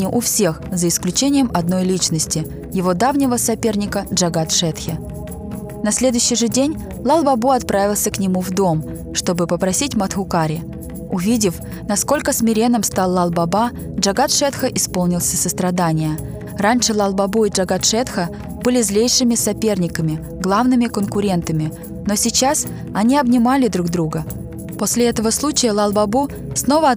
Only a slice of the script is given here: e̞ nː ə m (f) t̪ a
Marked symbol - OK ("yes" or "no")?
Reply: no